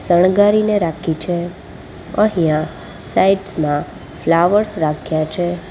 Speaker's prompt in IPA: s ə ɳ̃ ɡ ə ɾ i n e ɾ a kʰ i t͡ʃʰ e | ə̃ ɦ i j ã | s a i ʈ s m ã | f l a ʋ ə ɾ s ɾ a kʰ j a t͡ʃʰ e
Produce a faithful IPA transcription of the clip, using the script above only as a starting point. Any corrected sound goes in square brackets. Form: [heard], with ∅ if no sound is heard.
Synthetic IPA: s ə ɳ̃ ɡ [a] ɾ i n e ɾ a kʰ i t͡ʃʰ e | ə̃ ɦ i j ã | s a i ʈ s m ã | f l a ʋ ə ɾ s ɾ a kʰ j a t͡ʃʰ e